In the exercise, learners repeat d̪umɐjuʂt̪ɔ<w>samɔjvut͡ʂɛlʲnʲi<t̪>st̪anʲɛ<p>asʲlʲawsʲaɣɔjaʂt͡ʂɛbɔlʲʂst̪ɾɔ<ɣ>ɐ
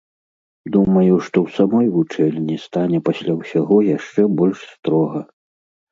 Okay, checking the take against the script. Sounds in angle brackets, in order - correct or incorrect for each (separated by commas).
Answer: correct, incorrect, correct, correct